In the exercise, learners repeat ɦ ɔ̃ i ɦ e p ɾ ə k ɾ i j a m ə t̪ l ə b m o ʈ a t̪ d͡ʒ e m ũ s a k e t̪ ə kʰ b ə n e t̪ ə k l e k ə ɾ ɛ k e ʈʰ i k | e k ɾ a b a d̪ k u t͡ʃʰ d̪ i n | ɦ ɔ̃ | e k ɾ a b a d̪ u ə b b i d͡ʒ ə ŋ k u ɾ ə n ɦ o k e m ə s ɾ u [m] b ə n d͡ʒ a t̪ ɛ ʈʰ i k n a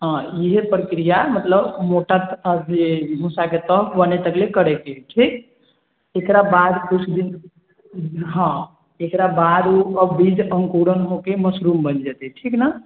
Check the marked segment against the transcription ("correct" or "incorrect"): correct